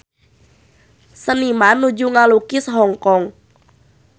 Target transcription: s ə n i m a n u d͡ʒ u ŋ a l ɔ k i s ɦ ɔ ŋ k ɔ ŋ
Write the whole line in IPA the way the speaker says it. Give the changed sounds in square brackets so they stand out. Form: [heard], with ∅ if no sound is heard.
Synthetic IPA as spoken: s ə n i m a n u d͡ʒ u ŋ a l [u] k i s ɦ ɔ ŋ k ɔ ŋ